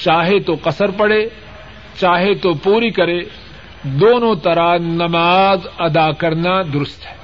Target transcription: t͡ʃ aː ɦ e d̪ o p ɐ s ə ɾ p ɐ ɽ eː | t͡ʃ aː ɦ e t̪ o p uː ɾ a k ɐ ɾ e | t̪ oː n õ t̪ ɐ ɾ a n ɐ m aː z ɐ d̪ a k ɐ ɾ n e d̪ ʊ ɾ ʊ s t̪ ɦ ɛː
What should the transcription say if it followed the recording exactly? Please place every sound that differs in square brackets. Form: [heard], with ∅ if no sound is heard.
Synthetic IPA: t͡ʃ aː ɦ e [t̪] o [q] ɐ s ə ɾ p ɐ ɽ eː | t͡ʃ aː ɦ e t̪ o p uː ɾ [i] k ɐ ɾ e | [d̪] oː n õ t̪ ɐ ɾ a n ɐ m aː z ɐ d̪ a k ɐ ɾ n [a] d̪ ʊ ɾ ʊ s t̪ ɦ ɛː